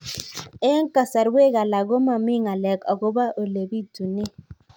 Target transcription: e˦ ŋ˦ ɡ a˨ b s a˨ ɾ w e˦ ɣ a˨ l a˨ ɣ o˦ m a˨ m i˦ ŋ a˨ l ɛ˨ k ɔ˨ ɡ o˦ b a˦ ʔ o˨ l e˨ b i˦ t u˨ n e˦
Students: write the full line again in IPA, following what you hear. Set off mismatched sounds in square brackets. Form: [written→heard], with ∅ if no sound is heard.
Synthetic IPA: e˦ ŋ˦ [ɡ→k] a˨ [b→∅] s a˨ ɾ w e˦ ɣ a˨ l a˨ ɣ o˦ m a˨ m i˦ ŋ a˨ l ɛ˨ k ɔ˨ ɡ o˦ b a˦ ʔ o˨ l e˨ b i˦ t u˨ n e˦